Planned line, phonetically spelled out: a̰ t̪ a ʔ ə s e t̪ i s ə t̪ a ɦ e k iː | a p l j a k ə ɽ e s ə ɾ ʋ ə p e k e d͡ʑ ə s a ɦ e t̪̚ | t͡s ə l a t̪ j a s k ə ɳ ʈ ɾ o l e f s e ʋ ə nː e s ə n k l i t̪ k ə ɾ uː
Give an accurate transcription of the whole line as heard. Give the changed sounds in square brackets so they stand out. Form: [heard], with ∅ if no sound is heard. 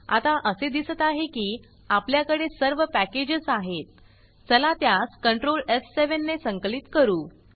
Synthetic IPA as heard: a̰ t̪ a ʔ ə s e [d̪] i s ə t̪ a ɦ e k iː | a p l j a k ə ɽ e s ə ɾ ʋ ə p [æ] k e d͡ʑ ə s a ɦ e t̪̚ | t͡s ə l a t̪ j a s k ə ɳ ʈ ɾ o l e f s e ʋ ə nː e s ə [ŋ] k l i t̪ k ə ɾ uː